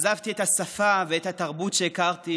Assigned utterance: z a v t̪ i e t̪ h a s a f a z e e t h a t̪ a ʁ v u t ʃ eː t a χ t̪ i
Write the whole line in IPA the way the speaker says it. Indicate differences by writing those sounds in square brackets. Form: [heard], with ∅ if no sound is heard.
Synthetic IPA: z a v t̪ i e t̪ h a s a f a [v] e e t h a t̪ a ʁ [b] u t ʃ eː [k] a [ʁ] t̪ i